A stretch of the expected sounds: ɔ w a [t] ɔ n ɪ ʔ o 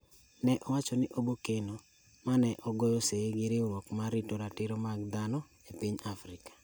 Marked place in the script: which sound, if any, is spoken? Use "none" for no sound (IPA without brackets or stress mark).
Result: t͡ʃ